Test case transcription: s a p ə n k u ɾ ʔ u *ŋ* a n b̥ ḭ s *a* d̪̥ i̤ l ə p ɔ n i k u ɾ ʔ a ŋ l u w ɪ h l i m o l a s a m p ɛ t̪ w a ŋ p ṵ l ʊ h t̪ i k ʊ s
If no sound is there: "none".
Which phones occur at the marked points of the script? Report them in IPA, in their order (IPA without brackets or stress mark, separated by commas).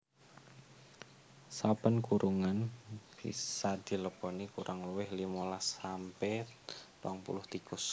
ŋ, a